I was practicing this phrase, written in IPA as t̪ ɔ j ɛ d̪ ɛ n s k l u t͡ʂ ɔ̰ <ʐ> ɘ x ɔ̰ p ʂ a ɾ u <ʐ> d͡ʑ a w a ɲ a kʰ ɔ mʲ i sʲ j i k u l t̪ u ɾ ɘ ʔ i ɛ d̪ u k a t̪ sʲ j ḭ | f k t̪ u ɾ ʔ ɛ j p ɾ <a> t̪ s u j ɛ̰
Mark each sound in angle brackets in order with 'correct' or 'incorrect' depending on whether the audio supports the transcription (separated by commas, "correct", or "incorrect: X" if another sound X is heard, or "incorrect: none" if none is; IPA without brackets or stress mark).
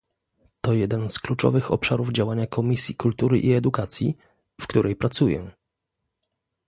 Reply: incorrect: v, incorrect: v, correct